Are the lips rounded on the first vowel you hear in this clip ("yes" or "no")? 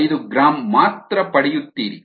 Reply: yes